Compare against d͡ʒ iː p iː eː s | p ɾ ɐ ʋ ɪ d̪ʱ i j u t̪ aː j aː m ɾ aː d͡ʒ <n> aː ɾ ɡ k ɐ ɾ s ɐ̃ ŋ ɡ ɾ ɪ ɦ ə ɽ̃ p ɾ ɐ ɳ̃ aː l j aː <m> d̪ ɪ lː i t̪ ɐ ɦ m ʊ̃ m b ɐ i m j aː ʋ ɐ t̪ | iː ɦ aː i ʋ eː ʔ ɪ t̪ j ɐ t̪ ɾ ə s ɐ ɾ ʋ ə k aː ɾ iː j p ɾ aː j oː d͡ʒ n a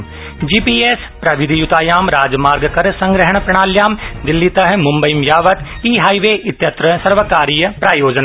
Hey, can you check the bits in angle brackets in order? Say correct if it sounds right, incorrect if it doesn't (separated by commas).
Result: incorrect, correct